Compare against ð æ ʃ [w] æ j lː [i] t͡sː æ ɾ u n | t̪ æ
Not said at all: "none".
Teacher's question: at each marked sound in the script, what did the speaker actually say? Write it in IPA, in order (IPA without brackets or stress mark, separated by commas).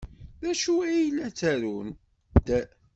u, æ